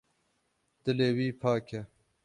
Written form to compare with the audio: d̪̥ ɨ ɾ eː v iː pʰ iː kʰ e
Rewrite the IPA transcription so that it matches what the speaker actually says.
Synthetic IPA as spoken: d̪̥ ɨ l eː w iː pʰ aː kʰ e